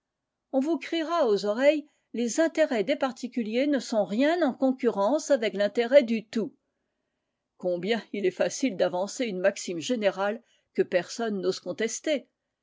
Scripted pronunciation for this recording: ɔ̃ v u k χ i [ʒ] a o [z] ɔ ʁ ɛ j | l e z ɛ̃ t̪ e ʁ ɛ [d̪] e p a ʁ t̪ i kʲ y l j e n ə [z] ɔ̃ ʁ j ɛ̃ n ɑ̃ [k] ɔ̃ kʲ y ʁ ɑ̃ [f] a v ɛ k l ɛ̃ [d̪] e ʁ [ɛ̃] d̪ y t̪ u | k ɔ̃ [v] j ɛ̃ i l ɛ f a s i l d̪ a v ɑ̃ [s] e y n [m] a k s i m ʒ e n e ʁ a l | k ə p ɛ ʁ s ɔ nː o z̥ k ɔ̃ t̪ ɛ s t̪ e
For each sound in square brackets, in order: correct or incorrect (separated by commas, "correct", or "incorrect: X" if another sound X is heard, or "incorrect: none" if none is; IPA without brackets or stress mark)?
incorrect: ʁ, correct, correct, incorrect: s, correct, incorrect: s, incorrect: t̪, incorrect: ɛ, incorrect: b, correct, correct